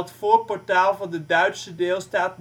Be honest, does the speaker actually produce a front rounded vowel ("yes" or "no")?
yes